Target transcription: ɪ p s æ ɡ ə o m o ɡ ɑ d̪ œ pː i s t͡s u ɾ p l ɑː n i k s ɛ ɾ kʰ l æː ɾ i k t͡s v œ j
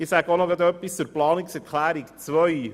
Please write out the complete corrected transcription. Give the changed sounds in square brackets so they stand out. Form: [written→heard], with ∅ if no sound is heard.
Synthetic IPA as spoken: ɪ [p→∅] s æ ɡ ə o [m→n] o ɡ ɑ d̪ œ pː i s t͡s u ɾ p l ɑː n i k s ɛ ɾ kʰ l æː ɾ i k t͡s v œ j